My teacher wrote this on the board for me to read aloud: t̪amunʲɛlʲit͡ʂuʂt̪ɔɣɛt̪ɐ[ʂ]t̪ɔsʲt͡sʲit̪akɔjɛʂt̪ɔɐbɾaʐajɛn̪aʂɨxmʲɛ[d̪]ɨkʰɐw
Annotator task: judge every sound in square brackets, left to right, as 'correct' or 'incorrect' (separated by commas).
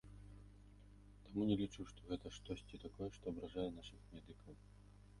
correct, correct